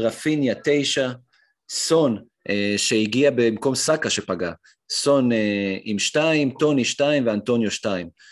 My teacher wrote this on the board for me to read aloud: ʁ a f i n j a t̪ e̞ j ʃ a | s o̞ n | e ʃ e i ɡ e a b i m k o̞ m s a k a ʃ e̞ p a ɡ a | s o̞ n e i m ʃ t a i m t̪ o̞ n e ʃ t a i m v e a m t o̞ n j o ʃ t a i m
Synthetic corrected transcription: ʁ a f i n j a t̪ e̞ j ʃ a | s o̞ n | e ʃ e i ɡ i a b e m k o̞ m s a k a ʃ e̞ p a ɡ a | s o̞ n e i m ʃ t a i m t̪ o̞ n i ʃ t a i m v e a n t o̞ n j o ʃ t a i m